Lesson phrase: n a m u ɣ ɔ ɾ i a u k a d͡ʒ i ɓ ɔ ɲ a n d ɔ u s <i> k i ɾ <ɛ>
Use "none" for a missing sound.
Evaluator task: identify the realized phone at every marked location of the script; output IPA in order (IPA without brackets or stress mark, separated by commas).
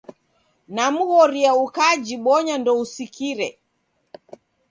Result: i, ɛ